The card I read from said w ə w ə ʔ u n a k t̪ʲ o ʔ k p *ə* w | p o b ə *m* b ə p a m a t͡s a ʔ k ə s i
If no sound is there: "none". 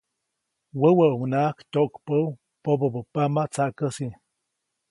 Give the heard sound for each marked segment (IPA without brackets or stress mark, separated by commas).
ə, none